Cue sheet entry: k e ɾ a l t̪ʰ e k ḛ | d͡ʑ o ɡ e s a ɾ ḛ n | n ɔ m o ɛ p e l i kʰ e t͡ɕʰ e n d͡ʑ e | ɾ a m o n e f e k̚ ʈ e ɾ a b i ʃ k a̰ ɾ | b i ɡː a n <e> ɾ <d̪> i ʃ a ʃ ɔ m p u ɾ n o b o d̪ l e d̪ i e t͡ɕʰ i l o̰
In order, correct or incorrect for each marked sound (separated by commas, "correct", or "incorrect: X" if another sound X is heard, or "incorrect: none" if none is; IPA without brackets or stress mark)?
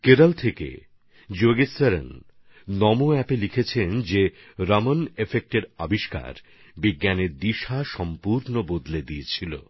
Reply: correct, correct